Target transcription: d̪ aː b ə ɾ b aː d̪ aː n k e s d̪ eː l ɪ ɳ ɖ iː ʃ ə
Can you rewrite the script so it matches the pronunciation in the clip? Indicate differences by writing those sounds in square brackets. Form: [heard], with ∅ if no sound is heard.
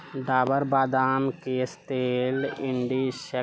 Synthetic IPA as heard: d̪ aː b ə ɾ b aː d̪ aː [m] k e s [t̪] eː l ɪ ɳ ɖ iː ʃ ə